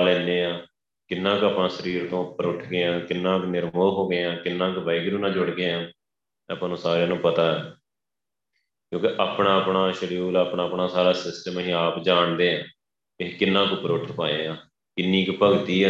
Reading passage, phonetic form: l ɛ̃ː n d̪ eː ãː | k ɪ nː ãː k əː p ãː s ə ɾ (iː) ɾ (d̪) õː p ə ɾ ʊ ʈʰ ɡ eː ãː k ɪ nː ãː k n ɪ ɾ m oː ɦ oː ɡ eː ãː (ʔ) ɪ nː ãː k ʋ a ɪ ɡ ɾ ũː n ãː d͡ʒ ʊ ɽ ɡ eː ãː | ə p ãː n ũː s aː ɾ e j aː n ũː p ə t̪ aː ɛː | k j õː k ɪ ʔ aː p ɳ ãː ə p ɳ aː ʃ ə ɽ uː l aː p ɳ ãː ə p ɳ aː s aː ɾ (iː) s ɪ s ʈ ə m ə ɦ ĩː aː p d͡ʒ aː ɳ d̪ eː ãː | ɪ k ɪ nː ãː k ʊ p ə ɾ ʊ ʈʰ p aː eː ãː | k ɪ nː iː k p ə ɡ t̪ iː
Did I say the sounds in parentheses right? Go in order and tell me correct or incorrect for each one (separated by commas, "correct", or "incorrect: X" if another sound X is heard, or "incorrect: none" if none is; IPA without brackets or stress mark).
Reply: correct, incorrect: t̪, incorrect: k, incorrect: aː